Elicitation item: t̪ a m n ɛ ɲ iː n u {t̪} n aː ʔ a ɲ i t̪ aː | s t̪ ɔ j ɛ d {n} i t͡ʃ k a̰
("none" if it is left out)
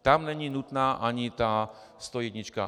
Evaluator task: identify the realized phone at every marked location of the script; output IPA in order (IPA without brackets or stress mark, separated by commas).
t̪, ɲ